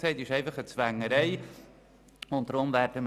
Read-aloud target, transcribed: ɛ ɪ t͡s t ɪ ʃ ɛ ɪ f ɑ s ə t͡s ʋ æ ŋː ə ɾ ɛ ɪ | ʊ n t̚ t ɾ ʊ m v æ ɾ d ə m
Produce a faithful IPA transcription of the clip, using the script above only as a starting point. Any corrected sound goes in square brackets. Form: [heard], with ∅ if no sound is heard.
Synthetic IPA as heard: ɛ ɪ [∅] t ɪ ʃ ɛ ɪ f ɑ [χ] ə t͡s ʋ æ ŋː ə ɾ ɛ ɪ | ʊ n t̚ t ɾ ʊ m v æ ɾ d ə m